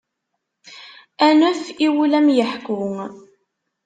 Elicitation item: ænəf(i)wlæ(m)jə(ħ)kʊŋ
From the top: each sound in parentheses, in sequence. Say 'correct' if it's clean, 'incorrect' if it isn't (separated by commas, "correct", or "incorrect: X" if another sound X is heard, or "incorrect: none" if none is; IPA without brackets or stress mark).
correct, correct, correct